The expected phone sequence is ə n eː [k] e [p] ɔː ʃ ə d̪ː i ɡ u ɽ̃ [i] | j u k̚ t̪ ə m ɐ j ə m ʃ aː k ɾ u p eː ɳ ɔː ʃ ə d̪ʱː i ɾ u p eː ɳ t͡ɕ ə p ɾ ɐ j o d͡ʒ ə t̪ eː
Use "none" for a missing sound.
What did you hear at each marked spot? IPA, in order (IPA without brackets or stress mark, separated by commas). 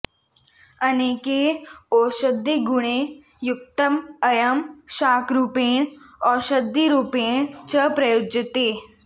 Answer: k, none, e